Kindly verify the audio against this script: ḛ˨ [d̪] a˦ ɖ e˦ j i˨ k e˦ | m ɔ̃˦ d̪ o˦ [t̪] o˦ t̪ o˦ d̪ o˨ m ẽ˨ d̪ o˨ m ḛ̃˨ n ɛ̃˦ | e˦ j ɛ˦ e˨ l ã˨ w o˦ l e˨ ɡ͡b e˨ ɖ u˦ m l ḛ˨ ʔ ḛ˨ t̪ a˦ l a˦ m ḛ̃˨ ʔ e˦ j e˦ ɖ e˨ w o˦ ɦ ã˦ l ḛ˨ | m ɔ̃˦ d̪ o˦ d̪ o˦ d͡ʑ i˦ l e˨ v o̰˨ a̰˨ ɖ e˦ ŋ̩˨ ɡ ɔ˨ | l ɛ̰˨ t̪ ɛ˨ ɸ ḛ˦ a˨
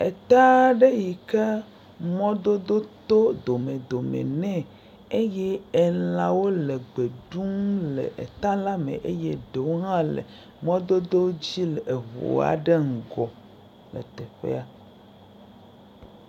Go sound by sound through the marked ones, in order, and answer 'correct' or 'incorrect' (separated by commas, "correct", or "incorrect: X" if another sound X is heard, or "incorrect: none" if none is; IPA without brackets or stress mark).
incorrect: t̪, incorrect: d̪